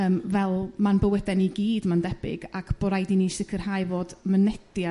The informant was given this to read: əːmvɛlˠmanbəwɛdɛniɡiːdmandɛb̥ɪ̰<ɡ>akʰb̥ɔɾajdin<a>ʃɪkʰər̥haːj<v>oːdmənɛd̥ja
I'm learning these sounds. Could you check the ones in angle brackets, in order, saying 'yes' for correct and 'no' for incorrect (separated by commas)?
yes, no, yes